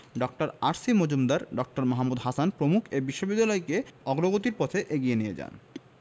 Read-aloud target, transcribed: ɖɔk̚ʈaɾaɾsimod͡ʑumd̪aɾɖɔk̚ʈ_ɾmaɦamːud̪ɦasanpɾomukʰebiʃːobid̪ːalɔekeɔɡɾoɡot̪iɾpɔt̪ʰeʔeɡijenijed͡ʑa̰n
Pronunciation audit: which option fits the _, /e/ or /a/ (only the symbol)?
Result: a